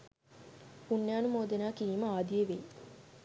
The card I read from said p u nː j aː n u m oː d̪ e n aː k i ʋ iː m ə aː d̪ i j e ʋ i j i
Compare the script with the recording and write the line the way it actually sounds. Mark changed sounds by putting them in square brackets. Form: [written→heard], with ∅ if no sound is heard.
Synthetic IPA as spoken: p u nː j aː n u m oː d̪ e n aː k i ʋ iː m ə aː d̪ i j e ʋ [i→e] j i